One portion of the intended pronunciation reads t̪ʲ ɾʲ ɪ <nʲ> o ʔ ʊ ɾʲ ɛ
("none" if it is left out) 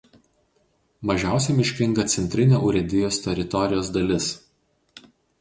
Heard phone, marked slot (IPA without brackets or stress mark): nʲ